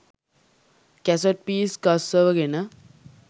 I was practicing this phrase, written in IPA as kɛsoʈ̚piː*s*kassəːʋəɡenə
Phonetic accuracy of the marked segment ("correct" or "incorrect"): correct